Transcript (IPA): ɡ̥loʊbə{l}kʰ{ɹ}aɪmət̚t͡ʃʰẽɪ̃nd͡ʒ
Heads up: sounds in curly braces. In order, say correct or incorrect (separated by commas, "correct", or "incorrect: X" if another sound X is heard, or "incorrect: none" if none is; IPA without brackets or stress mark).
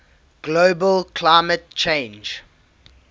correct, incorrect: l